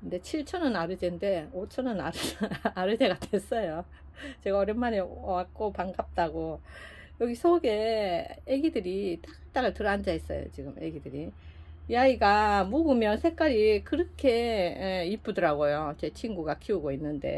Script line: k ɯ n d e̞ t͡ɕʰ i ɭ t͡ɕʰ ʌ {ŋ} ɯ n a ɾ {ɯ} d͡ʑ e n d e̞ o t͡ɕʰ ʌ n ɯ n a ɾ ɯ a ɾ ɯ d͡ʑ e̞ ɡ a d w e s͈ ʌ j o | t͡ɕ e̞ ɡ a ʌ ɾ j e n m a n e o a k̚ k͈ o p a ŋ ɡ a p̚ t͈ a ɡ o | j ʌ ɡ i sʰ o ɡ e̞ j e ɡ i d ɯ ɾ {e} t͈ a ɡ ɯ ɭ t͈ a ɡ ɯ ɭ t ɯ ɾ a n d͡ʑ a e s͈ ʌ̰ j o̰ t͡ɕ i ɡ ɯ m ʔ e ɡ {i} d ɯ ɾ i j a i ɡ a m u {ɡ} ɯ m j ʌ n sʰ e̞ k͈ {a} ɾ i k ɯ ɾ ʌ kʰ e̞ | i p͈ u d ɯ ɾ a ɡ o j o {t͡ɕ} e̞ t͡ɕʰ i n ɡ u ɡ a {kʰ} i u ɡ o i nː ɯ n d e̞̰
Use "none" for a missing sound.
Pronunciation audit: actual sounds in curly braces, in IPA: n, ɯ, i, i, ɡ, a, t͡ɕ, kʰ

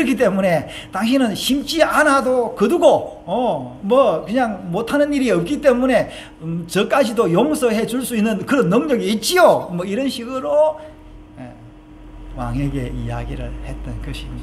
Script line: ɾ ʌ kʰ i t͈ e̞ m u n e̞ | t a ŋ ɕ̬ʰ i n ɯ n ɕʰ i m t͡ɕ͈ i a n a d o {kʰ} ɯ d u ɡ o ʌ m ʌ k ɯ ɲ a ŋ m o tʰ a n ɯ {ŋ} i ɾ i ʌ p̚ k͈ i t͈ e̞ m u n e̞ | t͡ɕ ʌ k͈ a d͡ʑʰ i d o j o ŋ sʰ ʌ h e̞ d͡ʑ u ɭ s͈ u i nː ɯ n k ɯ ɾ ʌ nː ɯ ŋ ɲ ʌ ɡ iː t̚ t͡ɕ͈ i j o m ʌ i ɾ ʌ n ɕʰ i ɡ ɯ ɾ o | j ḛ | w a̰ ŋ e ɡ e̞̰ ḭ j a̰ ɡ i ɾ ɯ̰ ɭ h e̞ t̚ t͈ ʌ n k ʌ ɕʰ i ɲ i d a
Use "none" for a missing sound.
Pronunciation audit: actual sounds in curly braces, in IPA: k, n

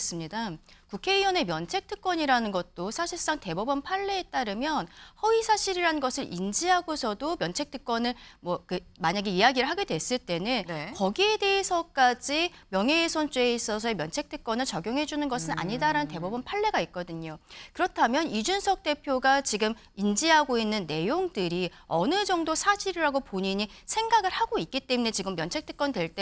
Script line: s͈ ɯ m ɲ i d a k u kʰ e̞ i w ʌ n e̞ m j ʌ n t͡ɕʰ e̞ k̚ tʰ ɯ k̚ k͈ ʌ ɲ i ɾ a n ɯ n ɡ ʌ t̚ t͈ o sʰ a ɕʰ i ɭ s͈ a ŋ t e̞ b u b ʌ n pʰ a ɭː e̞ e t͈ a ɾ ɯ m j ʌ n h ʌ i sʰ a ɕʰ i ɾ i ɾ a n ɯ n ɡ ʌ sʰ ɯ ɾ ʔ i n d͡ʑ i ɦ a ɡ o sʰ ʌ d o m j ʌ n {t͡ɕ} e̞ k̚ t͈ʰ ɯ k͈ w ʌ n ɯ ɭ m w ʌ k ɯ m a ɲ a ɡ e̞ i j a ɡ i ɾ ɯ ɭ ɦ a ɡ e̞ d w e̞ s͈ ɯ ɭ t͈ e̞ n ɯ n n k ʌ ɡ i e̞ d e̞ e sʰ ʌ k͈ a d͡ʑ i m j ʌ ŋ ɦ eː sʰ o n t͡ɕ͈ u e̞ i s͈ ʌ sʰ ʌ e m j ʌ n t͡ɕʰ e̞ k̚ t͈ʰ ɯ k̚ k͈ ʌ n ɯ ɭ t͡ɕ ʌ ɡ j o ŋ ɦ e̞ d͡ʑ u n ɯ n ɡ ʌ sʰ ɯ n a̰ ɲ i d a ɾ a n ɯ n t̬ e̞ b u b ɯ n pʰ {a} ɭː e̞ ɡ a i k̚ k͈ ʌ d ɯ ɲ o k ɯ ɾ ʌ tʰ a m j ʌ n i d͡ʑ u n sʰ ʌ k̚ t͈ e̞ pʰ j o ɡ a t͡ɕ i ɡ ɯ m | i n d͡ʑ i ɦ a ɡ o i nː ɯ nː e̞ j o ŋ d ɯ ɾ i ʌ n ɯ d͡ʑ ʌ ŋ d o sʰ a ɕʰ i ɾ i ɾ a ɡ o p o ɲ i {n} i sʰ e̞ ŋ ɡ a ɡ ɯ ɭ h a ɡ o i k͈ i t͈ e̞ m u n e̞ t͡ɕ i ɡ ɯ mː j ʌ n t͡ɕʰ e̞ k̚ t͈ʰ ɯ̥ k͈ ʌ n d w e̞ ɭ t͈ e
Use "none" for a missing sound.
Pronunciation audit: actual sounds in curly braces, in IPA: t͡ɕʰ, a, ɲ

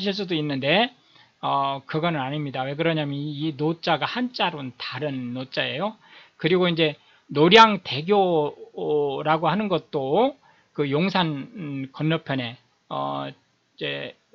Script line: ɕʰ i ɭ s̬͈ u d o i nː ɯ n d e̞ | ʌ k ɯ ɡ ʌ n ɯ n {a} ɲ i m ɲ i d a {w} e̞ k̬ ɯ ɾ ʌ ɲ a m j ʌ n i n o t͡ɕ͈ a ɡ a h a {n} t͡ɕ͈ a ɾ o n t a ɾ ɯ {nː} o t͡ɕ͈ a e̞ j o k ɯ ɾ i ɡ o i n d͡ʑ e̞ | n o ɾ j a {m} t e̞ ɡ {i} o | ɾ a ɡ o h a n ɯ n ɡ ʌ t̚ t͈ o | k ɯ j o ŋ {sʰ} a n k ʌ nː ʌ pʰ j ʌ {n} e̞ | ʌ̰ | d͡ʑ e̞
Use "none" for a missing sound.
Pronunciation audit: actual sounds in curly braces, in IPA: a, w, n, nː, ŋ, j, sʰ, n

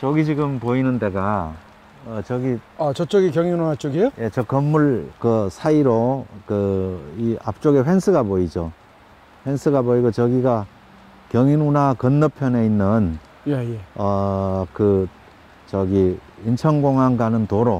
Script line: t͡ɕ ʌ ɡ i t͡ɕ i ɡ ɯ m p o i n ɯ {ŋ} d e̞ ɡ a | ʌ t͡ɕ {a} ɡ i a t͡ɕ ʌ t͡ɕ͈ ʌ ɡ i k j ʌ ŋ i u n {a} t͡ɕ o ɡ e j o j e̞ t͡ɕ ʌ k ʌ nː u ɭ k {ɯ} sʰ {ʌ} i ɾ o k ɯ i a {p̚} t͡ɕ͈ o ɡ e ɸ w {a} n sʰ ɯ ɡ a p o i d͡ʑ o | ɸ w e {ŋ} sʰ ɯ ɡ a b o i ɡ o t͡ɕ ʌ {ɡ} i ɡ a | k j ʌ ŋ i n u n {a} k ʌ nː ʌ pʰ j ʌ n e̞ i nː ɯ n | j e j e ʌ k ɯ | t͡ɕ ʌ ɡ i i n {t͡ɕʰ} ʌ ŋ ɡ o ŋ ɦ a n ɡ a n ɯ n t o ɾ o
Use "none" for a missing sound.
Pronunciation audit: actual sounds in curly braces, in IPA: n, ʌ, a, ɯ, a, p̚, e, n, ɡ, a, t͡ɕʰ

